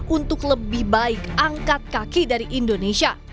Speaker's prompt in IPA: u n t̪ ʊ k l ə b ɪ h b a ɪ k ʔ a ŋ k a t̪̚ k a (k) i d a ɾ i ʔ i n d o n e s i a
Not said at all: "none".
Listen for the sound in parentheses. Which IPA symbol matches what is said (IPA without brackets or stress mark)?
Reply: k